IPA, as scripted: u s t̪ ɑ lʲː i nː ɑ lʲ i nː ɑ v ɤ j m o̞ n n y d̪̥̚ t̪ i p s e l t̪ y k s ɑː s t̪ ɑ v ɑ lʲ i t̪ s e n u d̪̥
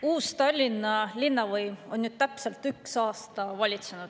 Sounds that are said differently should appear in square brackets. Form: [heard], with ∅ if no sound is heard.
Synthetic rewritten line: [uː] s t̪ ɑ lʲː i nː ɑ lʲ i nː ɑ v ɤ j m o̞ n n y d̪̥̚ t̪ [æ] p s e l t̪ y k s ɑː s t̪ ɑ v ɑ lʲ i t̪ s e n u d̪̥